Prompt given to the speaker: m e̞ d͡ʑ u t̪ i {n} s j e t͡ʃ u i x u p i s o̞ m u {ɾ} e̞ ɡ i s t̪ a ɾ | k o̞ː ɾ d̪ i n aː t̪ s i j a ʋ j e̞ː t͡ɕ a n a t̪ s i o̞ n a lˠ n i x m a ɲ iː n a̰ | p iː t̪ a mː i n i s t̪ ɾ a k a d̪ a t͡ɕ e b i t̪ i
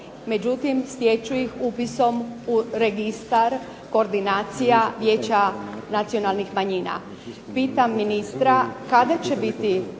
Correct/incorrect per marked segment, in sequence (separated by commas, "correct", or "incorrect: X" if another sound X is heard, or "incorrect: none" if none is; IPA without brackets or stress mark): incorrect: m, correct